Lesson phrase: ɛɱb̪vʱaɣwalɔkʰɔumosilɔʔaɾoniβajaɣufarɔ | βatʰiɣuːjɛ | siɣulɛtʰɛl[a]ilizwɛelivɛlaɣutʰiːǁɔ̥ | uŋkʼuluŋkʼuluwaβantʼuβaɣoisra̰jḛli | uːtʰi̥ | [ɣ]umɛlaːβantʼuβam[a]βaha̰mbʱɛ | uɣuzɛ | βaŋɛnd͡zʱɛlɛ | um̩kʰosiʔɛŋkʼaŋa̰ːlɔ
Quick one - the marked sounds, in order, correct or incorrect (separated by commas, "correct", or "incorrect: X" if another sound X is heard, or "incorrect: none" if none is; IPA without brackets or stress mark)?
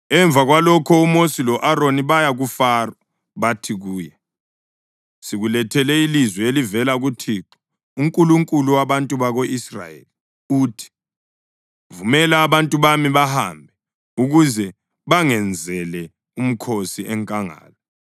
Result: incorrect: ɛ, incorrect: v, incorrect: i